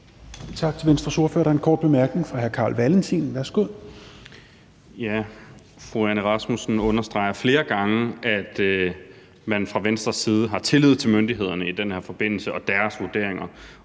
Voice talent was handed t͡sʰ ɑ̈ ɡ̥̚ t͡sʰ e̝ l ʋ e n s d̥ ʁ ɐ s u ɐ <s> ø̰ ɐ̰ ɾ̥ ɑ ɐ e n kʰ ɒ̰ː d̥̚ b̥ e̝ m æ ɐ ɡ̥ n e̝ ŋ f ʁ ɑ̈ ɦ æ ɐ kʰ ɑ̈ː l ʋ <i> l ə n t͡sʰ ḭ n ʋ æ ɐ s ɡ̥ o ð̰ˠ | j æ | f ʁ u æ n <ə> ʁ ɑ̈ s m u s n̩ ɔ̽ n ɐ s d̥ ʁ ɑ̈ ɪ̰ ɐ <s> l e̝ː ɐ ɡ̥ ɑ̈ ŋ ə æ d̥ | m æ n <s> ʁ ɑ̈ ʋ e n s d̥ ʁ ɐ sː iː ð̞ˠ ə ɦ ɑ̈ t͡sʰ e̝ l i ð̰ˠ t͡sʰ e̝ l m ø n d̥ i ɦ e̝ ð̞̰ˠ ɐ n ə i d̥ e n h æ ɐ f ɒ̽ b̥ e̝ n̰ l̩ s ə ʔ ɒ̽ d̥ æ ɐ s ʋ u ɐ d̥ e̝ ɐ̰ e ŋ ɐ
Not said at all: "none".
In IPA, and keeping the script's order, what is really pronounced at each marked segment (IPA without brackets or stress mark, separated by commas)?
f, æ, ə, f, f